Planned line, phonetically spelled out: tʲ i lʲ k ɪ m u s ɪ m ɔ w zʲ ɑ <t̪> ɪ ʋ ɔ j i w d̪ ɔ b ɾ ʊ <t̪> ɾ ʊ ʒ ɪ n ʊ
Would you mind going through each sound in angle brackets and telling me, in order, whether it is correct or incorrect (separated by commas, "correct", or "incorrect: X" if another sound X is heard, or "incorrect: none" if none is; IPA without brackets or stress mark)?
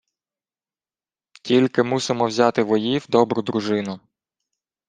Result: correct, incorrect: d̪